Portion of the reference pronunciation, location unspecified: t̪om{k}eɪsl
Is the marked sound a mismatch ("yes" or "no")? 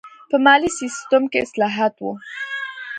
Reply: no